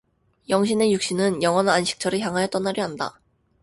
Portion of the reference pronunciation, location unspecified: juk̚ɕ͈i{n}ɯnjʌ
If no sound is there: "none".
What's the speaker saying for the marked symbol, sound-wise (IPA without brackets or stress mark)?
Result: n